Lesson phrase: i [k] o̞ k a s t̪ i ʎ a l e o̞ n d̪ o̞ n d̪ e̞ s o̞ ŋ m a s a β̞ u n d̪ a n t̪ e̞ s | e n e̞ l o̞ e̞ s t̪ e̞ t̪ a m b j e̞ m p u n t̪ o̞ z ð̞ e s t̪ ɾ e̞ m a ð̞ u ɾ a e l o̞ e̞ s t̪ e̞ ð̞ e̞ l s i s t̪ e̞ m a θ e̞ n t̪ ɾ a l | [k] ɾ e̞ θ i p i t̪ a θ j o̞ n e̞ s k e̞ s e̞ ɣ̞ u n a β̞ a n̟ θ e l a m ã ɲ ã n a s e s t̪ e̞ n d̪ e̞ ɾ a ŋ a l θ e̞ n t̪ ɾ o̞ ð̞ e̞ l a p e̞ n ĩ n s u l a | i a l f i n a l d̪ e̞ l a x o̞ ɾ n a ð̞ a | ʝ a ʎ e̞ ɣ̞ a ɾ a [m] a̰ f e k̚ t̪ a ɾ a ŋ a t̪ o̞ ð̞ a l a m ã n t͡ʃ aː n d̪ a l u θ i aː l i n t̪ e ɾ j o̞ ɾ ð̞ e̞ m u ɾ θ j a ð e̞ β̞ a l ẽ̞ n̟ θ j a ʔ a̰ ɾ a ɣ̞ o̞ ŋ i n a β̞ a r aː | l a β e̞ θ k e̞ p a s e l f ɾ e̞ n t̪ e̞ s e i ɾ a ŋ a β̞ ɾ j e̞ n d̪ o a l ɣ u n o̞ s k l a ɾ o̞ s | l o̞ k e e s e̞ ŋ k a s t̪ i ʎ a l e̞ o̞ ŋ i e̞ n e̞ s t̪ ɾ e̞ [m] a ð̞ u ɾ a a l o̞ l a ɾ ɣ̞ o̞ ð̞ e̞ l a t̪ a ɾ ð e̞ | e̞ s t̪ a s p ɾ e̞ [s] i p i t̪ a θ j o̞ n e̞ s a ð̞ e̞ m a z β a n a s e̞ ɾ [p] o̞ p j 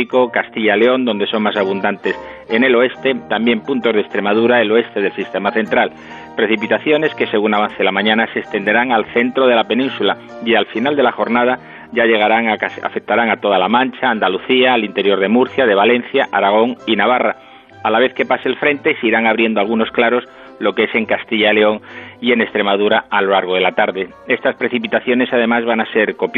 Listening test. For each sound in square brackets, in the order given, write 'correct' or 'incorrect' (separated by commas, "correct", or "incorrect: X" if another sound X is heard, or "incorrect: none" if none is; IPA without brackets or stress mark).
correct, incorrect: p, incorrect: ŋ, correct, incorrect: θ, incorrect: k